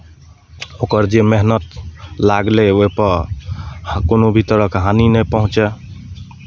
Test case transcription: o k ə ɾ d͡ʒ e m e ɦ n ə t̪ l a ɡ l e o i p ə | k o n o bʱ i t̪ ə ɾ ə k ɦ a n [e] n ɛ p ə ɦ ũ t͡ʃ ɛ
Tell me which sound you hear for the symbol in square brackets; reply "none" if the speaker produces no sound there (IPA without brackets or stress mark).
i